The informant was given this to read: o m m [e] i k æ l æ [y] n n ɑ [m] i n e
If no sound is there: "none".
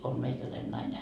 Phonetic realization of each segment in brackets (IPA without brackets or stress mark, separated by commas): e, i, none